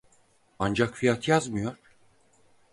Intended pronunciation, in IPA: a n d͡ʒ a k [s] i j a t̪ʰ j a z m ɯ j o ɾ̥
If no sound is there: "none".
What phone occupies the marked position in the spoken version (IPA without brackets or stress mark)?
f